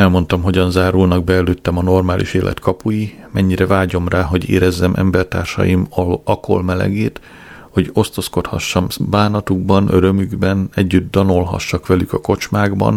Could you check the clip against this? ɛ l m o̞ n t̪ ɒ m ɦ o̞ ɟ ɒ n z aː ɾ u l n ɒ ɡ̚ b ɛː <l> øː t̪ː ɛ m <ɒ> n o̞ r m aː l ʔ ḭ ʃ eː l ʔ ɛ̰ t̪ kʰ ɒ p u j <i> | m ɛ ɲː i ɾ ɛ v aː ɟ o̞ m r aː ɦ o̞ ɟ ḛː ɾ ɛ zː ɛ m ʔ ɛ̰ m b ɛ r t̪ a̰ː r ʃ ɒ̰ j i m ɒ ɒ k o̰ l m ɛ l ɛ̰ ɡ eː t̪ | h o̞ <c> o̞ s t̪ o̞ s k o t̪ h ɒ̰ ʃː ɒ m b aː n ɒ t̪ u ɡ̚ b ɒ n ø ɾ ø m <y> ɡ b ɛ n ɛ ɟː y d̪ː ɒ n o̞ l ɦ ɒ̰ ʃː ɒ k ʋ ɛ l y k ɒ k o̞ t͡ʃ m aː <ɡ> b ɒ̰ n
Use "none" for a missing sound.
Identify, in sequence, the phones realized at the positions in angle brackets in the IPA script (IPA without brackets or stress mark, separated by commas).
l, ɒ, i, ɟ, y, ɡ